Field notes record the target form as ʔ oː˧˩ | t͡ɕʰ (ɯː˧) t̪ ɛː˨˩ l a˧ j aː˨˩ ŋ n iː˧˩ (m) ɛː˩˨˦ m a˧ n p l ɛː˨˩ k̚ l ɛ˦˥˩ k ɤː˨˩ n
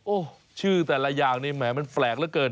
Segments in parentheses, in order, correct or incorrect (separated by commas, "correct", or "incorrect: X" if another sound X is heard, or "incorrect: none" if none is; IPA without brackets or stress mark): incorrect: ɯː˥˩, correct